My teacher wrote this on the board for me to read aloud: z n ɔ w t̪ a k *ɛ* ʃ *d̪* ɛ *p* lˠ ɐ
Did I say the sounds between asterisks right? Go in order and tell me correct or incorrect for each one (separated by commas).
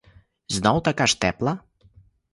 incorrect, incorrect, correct